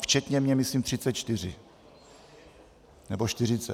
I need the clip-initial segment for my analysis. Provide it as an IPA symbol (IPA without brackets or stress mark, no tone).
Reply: f